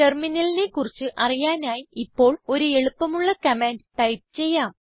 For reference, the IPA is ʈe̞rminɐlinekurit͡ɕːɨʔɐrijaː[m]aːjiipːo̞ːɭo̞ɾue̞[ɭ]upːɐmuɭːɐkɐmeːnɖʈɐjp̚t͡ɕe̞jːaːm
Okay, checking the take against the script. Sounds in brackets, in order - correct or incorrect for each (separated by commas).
incorrect, correct